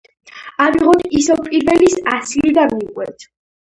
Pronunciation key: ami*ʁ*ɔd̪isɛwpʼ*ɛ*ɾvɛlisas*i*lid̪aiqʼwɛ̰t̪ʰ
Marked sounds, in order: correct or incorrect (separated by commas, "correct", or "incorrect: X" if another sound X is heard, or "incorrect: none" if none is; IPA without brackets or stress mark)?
correct, incorrect: i, correct